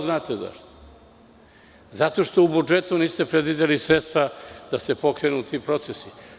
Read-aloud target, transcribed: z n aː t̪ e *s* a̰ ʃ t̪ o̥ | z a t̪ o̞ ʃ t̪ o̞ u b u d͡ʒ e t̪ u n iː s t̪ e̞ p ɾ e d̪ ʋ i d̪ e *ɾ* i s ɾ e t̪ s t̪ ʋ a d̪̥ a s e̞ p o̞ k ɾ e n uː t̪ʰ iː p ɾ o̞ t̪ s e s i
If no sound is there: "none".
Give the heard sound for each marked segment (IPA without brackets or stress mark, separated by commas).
z, l